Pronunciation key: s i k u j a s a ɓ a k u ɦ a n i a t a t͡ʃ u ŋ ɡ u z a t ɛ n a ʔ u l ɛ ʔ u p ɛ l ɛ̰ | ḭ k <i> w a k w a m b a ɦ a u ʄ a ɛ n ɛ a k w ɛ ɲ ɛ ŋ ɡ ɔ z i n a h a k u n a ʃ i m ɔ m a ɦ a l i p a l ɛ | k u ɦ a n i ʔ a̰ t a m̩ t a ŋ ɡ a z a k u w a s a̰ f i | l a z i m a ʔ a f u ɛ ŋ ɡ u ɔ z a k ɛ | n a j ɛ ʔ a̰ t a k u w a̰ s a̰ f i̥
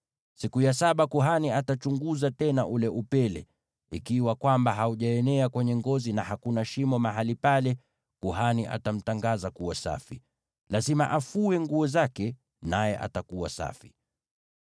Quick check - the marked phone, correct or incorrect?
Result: correct